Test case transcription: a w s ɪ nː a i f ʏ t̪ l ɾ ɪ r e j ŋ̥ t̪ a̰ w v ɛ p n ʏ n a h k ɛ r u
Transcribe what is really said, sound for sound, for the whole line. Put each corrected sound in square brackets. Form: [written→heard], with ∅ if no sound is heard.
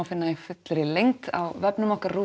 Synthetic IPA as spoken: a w [s→f] ɪ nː a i f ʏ t̪ l ɾ ɪ [r→l] e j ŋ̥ t̪ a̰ w v ɛ p n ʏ [n→m] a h k [ɛ→a] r u